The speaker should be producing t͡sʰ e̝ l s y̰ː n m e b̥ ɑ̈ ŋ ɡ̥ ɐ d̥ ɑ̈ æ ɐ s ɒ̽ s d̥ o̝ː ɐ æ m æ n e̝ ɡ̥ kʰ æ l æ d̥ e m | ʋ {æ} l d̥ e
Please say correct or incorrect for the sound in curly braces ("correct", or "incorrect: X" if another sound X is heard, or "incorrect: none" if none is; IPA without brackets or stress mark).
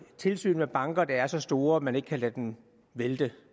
incorrect: e